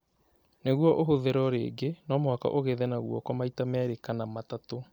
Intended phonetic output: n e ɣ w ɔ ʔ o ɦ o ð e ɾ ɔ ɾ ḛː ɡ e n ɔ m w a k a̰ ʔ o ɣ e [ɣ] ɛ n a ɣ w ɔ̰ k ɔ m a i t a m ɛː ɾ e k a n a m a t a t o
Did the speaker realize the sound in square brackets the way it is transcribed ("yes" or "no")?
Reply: no